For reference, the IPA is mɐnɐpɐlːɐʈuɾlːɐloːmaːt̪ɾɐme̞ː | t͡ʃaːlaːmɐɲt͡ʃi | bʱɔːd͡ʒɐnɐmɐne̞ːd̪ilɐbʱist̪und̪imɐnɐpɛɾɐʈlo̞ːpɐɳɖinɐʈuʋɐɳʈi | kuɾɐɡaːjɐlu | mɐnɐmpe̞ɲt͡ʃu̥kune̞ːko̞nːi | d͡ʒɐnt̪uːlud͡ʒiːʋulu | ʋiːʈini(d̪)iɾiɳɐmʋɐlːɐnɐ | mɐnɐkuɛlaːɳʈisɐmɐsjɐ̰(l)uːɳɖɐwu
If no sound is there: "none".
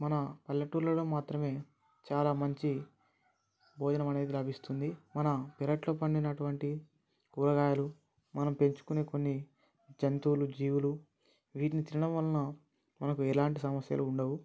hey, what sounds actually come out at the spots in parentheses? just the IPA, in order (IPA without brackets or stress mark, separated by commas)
t̪, l